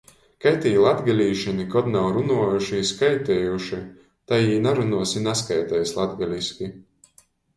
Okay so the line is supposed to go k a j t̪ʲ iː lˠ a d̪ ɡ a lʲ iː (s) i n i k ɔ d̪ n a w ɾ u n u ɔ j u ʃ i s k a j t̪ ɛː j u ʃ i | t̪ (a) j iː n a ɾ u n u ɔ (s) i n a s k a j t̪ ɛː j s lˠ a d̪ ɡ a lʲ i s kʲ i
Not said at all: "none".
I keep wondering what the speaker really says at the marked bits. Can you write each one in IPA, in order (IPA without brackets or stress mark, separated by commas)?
ʃ, a, s